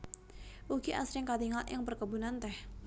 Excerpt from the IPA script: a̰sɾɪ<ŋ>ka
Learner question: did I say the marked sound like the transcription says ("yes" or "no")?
yes